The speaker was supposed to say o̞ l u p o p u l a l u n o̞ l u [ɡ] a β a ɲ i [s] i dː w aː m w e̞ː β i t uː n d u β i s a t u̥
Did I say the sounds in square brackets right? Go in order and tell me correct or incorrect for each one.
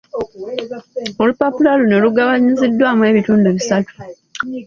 correct, incorrect: z

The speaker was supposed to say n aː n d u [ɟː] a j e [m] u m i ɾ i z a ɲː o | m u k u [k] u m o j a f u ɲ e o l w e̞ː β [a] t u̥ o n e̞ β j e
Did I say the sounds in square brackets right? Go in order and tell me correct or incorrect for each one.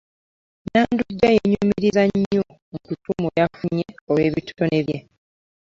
correct, incorrect: ɲ, incorrect: t, incorrect: i

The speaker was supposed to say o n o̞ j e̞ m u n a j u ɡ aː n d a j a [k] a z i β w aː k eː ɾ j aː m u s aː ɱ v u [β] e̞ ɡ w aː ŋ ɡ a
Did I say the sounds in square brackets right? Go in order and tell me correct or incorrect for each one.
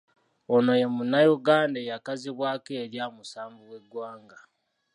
correct, incorrect: w

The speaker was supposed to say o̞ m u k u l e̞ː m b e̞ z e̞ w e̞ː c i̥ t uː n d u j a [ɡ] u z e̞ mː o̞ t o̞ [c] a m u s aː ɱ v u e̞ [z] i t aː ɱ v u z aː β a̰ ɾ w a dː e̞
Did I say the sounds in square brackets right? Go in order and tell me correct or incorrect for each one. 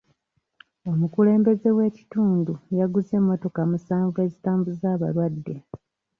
correct, incorrect: k, correct

